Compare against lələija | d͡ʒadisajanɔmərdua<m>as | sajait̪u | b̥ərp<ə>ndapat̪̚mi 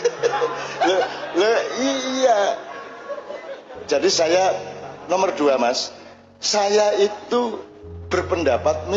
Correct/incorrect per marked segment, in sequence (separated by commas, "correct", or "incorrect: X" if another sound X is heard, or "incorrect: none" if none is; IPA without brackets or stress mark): correct, correct